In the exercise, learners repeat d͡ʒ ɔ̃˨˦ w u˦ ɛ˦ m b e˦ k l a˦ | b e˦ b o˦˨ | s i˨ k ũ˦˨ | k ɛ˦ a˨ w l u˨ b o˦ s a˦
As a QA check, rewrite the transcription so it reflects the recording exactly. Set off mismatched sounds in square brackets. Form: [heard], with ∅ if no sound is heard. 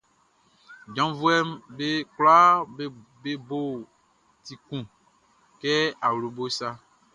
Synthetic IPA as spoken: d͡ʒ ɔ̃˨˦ [v] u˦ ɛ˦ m b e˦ k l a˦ | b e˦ b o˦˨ | [t] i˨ k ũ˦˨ | k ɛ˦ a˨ w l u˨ b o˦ s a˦

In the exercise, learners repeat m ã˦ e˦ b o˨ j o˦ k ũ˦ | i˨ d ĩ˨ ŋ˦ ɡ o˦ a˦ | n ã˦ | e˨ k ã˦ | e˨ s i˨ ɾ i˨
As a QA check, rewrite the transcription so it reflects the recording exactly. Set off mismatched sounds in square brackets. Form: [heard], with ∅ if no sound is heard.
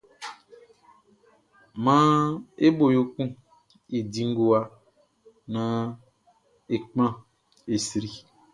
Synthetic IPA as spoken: m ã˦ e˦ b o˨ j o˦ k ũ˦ | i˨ d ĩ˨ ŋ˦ ɡ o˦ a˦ | n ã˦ | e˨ [k͡p] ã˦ | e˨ s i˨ ɾ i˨

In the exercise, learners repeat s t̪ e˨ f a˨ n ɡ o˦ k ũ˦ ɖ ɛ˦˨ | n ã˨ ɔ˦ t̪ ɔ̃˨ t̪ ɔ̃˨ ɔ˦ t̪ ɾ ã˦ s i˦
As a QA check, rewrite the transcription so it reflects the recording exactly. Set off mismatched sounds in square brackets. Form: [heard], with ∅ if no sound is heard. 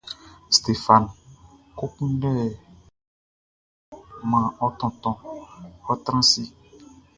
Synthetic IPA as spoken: s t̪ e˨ f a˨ n [k] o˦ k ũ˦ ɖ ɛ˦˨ | [m] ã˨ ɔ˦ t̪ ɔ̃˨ t̪ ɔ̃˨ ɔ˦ t̪ ɾ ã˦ s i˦

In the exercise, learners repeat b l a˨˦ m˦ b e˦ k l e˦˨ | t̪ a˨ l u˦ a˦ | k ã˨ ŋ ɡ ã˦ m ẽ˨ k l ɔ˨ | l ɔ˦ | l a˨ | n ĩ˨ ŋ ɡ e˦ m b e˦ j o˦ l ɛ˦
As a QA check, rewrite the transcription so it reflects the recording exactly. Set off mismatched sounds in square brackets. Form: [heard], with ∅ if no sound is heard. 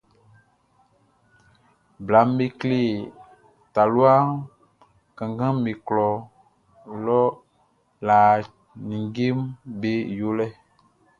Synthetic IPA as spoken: b l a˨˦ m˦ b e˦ k l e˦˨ | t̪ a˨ l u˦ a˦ | k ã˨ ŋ ɡ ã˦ m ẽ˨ k l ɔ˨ | l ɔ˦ | l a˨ | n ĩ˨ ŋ ɡ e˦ m b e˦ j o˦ l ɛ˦

